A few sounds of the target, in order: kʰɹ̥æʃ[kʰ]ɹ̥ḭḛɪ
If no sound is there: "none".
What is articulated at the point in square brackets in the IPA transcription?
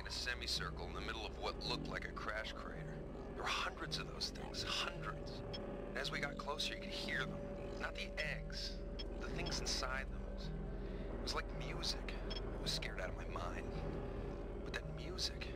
kʰ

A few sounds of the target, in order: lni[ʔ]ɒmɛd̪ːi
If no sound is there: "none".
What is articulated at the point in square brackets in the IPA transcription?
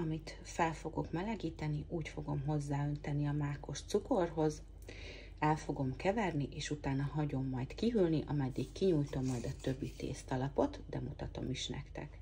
ʔ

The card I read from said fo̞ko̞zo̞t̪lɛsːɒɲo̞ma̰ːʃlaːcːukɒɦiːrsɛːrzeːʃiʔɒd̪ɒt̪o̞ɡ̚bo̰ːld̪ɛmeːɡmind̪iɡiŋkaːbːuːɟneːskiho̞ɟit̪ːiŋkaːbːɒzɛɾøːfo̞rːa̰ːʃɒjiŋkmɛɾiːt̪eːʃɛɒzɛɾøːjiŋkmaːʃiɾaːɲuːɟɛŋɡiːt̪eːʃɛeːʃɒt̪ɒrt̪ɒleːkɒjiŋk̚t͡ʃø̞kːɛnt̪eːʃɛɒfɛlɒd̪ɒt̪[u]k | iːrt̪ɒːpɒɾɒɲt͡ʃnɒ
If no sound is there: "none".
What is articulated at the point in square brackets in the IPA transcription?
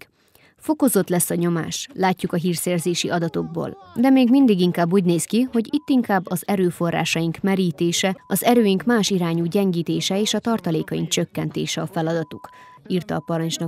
u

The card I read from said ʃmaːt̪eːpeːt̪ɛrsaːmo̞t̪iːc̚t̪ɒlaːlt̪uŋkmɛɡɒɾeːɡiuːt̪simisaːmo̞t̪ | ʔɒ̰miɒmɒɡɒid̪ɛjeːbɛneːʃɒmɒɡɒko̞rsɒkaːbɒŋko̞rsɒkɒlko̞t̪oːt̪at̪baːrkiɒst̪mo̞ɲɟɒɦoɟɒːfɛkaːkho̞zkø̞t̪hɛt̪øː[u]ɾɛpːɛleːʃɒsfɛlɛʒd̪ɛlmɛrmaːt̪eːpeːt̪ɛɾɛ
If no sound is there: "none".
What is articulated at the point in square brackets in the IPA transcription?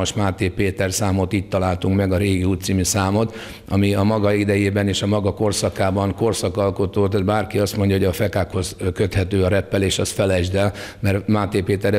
ɒ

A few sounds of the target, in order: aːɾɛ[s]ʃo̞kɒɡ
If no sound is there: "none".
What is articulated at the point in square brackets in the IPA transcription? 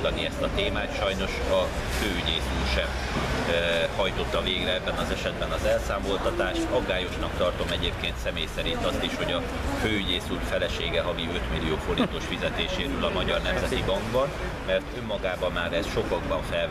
s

